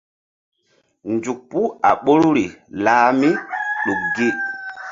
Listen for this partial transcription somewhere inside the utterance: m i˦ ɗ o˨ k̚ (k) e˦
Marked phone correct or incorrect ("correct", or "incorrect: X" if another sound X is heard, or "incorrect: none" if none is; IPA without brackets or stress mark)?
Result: incorrect: ɡ